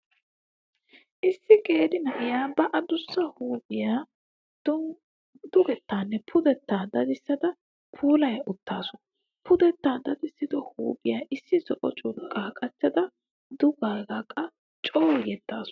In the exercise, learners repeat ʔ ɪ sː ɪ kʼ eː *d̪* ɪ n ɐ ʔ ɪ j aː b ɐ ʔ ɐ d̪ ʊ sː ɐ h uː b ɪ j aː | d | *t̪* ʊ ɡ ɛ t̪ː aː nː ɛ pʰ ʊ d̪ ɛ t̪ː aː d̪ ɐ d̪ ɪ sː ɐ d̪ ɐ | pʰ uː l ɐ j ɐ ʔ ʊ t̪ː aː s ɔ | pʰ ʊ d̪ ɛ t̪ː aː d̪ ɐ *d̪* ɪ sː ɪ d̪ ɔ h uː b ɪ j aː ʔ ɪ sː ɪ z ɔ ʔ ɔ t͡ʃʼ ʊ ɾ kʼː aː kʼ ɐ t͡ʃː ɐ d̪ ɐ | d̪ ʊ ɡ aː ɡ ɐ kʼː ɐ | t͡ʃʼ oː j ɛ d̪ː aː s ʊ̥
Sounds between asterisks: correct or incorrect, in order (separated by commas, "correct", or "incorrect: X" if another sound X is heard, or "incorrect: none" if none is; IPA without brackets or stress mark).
correct, incorrect: d̪, correct